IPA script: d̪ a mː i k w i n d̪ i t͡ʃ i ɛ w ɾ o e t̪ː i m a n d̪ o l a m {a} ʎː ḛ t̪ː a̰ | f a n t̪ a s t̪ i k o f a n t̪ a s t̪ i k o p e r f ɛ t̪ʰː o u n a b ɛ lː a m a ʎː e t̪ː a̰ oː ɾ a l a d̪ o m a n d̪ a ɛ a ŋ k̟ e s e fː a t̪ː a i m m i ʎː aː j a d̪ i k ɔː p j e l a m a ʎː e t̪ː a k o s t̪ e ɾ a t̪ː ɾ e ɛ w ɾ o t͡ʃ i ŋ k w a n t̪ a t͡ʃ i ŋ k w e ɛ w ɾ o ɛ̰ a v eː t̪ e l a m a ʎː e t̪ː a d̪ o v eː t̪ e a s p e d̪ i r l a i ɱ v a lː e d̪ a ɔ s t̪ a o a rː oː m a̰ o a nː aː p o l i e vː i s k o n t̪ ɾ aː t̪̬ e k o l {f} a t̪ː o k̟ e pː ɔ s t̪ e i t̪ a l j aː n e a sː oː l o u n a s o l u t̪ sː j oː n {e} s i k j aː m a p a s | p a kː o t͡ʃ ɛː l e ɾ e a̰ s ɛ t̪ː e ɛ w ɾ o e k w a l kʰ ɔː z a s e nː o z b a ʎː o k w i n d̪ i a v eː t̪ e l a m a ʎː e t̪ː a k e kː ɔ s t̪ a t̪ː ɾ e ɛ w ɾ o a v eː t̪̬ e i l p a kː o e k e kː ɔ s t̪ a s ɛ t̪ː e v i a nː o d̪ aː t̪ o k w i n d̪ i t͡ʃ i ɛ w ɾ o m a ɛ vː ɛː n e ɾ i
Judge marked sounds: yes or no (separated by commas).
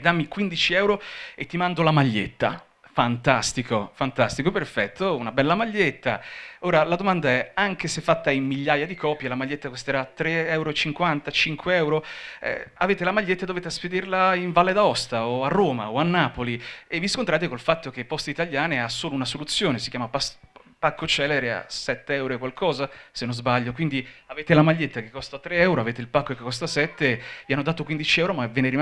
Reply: yes, yes, yes